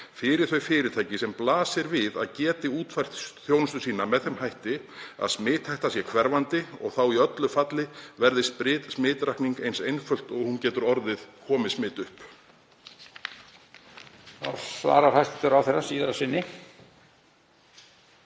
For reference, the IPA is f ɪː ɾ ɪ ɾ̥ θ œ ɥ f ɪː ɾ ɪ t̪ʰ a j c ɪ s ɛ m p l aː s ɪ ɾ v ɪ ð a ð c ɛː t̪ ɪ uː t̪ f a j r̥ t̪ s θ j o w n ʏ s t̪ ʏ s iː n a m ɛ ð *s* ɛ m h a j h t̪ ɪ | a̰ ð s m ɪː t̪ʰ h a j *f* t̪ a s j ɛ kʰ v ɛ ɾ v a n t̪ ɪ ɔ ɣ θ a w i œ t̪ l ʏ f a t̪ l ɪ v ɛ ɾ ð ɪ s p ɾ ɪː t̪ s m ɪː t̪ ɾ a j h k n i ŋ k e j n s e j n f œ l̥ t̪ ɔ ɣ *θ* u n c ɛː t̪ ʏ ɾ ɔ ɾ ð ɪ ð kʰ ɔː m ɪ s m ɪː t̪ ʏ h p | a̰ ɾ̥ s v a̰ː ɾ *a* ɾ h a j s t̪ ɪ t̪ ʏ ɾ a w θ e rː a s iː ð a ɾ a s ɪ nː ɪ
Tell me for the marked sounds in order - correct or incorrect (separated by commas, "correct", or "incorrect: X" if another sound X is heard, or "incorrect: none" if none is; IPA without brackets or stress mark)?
incorrect: θ, incorrect: h, incorrect: h, correct